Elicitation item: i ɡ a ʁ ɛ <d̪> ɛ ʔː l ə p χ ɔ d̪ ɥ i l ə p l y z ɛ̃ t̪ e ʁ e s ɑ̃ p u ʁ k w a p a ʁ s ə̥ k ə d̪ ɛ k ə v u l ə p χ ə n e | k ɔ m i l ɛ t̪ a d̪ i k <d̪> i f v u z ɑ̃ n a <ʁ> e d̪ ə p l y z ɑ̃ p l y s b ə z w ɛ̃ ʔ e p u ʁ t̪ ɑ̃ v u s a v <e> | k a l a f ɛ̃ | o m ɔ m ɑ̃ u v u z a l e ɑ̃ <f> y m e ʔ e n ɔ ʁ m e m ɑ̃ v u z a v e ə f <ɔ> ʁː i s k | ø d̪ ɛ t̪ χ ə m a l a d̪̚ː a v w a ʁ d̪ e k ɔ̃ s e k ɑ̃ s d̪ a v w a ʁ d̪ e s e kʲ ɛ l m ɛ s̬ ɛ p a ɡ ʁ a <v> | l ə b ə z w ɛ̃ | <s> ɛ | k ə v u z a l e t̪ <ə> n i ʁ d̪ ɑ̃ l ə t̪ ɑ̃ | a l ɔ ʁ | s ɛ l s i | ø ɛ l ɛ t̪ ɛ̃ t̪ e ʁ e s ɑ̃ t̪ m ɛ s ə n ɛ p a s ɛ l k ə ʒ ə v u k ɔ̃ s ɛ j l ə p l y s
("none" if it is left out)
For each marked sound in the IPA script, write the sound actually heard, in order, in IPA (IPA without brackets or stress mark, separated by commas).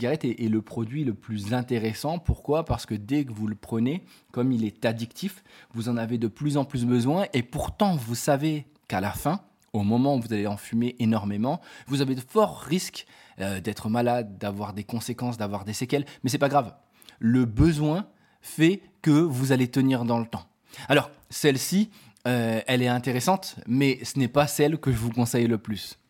t̪, t̪, v, e, f, ɔ, v, f, ə